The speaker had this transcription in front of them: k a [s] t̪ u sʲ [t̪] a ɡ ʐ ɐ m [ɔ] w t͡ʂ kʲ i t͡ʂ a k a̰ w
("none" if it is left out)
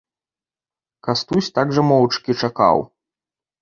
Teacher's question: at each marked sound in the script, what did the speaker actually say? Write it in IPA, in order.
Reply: s, t̪, ɔ

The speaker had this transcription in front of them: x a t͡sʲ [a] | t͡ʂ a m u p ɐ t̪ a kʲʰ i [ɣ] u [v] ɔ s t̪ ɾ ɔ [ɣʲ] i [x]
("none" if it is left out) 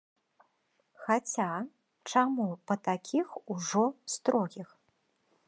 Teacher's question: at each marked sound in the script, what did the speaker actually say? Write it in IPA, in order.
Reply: a, x, ʐ, ɣʲ, x

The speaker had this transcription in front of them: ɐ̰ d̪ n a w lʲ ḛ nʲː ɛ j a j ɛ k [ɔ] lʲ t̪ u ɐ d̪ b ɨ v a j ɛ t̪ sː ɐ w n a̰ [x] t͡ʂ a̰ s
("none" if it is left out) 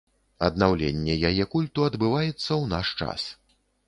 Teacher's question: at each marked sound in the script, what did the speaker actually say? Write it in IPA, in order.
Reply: u, ʂ

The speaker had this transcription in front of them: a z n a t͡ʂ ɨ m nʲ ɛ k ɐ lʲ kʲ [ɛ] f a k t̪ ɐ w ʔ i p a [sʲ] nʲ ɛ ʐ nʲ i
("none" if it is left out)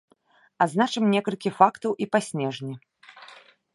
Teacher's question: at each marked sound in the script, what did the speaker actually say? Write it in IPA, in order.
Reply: i, sʲ

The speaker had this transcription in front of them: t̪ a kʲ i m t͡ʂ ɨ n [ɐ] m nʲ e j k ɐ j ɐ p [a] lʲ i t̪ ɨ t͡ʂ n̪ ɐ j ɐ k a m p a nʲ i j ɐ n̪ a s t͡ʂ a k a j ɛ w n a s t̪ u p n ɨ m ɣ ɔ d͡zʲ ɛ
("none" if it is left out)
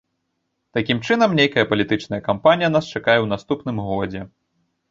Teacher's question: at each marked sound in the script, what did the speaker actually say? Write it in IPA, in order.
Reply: ɐ, ɐ

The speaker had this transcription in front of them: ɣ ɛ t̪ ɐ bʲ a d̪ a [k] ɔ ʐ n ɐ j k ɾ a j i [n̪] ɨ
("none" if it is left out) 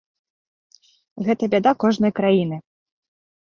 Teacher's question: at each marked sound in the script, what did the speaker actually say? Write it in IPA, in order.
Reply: k, n̪

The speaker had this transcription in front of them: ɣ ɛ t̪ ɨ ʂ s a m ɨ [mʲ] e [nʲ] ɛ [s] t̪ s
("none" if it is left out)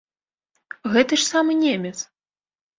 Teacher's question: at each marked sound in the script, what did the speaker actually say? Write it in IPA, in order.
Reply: nʲ, mʲ, none

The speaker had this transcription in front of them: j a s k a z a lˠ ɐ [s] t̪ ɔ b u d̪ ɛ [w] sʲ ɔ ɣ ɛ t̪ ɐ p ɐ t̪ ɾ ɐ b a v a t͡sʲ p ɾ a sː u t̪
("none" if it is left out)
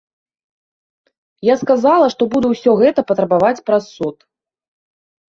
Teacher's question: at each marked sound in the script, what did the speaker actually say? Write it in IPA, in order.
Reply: ʂ, w

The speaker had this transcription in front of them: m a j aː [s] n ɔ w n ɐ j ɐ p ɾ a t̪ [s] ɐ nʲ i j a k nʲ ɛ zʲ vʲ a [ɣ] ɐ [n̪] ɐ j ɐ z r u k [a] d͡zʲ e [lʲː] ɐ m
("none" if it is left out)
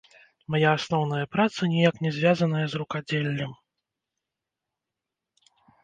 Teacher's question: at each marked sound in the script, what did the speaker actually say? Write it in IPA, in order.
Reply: s, s, z, n̪, a, lʲː

